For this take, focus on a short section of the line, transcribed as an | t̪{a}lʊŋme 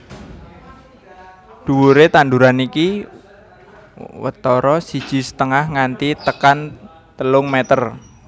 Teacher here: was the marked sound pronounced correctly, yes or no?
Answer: no